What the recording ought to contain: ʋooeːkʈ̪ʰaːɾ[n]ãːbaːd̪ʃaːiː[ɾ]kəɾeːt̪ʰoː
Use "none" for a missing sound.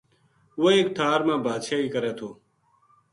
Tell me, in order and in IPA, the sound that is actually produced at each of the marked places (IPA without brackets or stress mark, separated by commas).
m, none